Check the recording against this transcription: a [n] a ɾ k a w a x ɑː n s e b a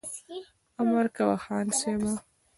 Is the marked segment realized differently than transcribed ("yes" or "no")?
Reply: yes